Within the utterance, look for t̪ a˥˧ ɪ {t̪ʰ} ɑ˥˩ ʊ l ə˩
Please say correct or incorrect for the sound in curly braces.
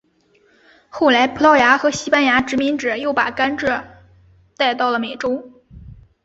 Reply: incorrect